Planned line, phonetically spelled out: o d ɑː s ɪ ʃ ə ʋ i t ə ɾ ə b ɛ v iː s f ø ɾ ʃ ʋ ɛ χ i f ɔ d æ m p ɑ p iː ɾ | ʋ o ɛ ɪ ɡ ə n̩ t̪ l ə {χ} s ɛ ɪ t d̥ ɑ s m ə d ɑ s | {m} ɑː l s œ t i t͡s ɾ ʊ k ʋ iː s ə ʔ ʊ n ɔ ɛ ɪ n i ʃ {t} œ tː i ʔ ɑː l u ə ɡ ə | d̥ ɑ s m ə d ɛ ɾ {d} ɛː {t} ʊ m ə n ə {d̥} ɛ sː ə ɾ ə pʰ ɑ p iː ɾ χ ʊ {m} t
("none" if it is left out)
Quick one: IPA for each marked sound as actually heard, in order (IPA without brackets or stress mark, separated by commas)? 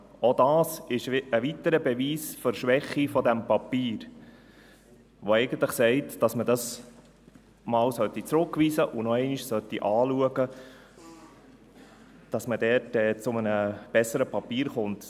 χ, m, s, t, t͡s, b̥, n